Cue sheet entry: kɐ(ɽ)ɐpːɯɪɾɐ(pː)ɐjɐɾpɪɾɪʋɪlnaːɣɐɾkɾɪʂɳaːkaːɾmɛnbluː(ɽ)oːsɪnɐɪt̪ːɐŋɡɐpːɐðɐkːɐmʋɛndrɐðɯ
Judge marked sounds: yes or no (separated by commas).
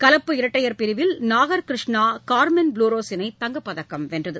no, no, no